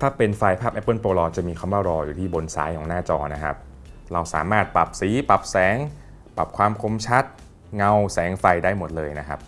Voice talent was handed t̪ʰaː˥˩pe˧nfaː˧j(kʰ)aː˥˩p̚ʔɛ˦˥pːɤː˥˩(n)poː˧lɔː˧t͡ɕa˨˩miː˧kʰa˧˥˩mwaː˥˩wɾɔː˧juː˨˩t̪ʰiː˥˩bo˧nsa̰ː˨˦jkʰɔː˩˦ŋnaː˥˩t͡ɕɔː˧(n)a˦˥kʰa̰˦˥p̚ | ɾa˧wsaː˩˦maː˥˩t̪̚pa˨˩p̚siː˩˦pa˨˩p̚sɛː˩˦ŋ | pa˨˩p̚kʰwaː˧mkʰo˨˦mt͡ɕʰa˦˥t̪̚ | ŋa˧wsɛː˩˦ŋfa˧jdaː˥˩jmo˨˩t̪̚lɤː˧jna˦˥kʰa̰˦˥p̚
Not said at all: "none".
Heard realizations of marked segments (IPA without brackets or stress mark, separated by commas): pʰ, n, n